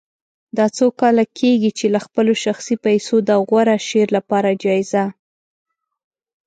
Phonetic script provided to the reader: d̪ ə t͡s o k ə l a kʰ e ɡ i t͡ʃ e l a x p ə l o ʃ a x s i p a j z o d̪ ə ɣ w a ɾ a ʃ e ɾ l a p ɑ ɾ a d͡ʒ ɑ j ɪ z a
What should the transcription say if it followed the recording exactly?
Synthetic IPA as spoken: d̪ ɑ t͡s o k ɑ l a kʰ e ɡ i t͡ʃ e l a x p ə l o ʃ a x s i p a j s o d̪ ə ɣ w a ɾ a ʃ e ɾ l a p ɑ ɾ a d͡ʒ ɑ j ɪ z a